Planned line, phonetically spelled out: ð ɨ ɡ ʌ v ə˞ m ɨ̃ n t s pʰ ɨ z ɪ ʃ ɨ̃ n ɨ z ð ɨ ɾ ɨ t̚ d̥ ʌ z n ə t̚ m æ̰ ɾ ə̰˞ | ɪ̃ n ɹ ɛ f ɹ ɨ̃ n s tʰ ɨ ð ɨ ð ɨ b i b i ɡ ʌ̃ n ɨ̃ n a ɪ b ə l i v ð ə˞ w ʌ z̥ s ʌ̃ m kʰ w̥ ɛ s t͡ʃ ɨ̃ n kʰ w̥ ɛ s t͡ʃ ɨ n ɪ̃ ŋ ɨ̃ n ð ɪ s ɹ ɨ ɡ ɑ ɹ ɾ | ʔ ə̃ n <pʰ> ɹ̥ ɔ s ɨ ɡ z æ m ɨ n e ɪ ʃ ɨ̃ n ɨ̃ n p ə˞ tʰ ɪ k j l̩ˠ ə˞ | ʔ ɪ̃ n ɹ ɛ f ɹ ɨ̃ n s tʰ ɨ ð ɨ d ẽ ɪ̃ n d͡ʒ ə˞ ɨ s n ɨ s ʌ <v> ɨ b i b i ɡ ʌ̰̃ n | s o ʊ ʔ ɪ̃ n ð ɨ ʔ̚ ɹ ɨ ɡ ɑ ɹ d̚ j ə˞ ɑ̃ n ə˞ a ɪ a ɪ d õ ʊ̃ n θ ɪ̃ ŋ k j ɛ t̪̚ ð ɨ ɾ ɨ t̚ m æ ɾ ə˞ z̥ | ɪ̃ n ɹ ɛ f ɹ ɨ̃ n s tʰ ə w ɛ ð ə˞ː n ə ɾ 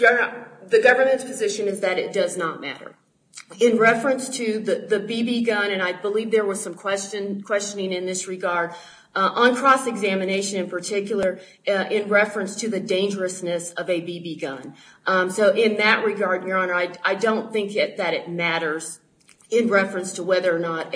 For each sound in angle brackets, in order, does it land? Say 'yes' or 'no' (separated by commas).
no, yes